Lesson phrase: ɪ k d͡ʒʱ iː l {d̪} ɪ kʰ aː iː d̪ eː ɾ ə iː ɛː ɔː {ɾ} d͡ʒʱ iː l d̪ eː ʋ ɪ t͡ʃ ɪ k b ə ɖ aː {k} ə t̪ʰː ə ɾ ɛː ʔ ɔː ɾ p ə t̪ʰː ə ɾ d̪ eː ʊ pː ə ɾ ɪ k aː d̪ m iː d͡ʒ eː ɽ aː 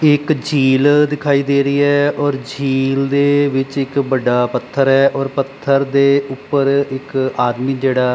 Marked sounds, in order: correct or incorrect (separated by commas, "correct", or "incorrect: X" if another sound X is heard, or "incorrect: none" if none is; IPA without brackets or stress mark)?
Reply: correct, correct, incorrect: p